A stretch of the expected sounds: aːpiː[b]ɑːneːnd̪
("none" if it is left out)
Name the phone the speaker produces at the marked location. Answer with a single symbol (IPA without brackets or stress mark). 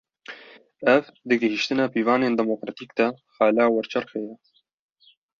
v